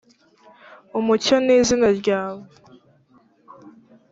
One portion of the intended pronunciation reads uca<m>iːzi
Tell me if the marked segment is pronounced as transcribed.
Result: no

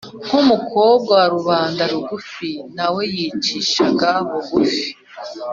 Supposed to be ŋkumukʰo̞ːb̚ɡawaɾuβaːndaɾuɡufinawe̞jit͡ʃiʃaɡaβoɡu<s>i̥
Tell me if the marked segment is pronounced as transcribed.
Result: no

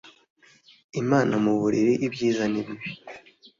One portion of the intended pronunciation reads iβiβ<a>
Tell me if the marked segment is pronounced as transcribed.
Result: no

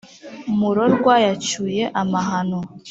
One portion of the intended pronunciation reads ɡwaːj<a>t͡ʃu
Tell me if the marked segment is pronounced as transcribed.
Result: yes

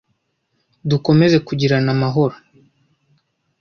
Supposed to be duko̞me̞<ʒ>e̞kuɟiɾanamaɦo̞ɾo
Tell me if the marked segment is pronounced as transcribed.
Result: no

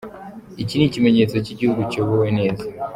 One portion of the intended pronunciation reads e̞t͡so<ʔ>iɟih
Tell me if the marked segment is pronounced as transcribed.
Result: no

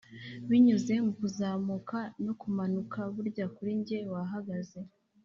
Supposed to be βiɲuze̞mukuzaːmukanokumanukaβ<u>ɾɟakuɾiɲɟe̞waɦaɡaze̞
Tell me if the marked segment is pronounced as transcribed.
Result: yes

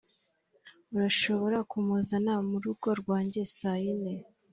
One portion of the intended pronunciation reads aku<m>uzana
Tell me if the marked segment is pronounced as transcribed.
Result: yes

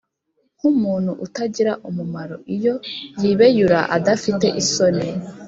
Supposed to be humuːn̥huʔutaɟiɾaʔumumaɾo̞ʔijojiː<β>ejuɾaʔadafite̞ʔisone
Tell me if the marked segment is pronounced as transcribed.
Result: yes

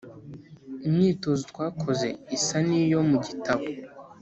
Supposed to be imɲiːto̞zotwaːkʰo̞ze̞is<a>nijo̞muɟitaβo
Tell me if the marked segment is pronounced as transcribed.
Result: yes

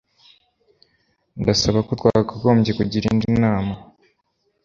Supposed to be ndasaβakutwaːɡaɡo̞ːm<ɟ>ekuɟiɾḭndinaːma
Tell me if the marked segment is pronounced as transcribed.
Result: yes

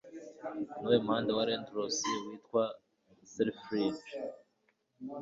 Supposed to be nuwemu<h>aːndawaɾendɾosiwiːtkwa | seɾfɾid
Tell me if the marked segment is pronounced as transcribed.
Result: yes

